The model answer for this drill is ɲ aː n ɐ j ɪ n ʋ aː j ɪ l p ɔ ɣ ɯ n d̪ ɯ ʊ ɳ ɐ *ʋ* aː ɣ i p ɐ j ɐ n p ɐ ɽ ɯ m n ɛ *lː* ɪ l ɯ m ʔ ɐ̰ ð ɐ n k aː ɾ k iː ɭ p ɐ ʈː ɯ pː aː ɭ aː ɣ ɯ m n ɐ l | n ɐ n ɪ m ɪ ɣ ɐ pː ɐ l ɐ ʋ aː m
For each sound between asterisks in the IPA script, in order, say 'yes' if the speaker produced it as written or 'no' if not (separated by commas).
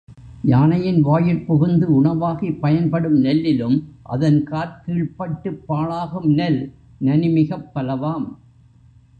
yes, yes